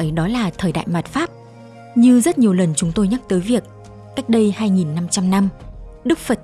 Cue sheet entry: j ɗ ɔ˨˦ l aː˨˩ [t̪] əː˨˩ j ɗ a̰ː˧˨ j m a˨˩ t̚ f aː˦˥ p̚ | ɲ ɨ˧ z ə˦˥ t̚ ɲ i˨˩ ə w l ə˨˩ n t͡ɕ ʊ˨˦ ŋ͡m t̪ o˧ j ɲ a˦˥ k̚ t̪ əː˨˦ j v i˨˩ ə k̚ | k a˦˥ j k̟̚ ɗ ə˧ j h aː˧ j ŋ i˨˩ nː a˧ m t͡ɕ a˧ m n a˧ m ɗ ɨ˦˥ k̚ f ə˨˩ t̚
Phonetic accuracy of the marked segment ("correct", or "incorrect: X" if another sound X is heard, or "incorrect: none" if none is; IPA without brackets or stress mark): incorrect: t̪ʰ